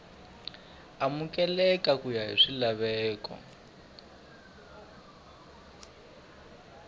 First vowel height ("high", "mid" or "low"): low